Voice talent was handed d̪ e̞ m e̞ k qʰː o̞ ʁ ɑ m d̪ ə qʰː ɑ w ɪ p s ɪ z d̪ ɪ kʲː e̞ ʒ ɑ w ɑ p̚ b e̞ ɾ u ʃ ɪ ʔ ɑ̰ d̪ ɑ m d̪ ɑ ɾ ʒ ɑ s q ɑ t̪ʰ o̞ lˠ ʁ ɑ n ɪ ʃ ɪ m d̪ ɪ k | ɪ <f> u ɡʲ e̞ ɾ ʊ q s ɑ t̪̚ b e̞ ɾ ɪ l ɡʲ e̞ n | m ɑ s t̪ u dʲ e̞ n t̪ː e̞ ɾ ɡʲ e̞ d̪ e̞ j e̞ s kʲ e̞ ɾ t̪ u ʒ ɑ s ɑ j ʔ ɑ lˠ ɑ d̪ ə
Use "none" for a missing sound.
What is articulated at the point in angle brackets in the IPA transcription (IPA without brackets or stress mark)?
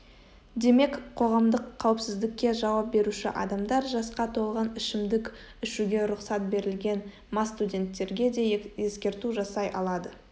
ʃ